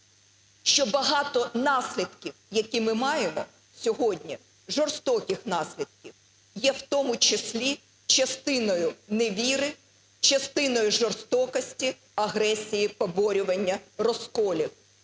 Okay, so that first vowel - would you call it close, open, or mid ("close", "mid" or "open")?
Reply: mid